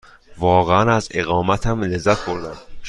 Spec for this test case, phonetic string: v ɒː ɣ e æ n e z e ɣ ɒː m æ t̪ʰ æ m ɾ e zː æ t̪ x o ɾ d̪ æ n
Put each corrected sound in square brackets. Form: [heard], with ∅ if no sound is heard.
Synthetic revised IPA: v ɒː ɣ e æ n [æ] z e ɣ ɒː m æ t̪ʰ æ m [l] e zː æ t̪ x o ɾ d̪ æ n